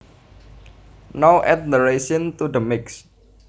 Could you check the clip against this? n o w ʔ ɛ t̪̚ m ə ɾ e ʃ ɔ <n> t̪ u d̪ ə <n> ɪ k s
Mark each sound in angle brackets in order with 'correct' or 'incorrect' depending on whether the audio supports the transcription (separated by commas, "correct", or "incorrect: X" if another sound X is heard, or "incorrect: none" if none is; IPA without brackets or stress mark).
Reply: correct, incorrect: m